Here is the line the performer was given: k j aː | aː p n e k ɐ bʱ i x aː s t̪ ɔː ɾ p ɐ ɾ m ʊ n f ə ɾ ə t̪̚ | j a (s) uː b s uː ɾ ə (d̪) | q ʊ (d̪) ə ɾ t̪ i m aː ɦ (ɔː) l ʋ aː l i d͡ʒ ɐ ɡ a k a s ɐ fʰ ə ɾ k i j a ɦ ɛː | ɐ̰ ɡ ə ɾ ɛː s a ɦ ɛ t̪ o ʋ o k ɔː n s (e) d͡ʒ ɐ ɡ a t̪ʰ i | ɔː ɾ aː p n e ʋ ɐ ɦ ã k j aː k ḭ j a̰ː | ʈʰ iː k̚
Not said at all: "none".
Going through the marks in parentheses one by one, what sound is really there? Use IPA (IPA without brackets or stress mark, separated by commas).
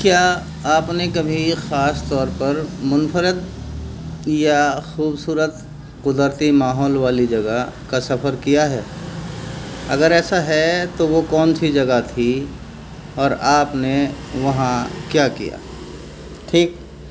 x, t̪, d̪, ɔː, i